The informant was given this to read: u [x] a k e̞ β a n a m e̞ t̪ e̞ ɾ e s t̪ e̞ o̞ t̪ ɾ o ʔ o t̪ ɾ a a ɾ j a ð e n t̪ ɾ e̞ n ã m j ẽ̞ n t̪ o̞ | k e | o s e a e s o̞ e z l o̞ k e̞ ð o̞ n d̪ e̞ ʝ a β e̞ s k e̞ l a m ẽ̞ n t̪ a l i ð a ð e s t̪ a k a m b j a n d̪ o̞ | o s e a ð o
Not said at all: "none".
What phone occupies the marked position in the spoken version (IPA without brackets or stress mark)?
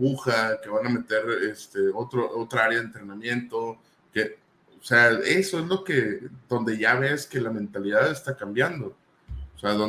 x